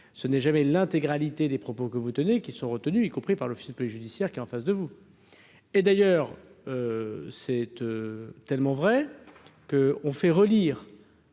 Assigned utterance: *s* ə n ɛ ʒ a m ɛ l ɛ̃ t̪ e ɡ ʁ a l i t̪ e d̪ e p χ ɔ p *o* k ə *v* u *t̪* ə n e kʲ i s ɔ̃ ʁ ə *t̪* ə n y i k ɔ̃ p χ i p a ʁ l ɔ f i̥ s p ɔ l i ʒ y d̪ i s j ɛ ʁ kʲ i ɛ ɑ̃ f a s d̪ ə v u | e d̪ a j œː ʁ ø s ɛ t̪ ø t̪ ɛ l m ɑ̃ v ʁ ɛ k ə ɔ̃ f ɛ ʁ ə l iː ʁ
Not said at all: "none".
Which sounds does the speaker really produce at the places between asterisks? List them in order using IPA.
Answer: s, o, v, t̪, t̪

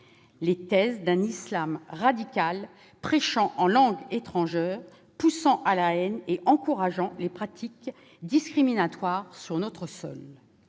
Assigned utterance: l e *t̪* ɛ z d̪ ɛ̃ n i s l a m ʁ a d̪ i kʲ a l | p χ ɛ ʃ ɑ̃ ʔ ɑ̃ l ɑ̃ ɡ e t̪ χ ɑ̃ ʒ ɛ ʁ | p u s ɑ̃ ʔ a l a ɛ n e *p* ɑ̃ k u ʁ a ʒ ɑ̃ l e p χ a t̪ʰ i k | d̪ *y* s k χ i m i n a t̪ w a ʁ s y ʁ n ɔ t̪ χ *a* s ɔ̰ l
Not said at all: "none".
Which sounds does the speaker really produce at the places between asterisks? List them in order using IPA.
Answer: t̪, ʔ, i, ə

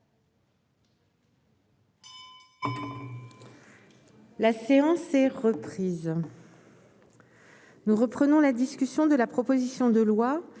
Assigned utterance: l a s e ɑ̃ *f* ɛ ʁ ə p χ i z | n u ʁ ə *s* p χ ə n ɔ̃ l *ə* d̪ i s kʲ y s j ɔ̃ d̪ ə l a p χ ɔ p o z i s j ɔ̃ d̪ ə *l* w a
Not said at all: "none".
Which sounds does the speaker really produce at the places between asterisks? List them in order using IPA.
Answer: s, none, a, l

